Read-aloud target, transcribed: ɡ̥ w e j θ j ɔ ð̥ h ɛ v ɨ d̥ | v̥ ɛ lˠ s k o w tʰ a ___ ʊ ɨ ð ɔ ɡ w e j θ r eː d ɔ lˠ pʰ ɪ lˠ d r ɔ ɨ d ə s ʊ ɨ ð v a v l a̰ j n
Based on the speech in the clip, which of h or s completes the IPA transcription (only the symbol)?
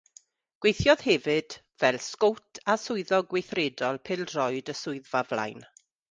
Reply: s